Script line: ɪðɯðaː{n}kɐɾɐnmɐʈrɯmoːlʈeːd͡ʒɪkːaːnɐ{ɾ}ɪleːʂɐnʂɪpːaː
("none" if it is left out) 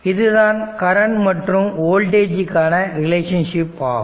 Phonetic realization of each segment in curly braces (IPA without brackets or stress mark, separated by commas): n, ɾ